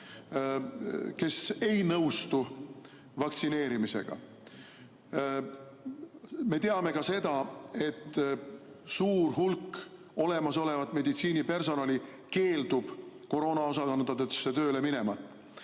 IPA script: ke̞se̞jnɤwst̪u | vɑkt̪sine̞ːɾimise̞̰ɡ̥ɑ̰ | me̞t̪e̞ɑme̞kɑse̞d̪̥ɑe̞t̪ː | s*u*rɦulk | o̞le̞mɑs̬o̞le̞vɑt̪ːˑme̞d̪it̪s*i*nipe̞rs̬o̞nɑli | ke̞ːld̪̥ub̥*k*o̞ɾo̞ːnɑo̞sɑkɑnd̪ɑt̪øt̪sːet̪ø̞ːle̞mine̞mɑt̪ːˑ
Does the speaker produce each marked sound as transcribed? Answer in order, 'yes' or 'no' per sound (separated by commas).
no, no, yes